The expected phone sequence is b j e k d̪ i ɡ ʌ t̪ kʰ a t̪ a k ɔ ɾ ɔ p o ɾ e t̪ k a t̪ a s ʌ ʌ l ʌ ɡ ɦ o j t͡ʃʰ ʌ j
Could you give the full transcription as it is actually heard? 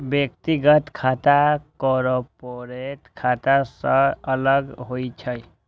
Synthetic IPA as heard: b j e k t̪ i ɡ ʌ t̪ kʰ a t̪ a k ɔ ɾ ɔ p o ɾ e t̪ kʰ a t̪ a s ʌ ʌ l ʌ ɡ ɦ o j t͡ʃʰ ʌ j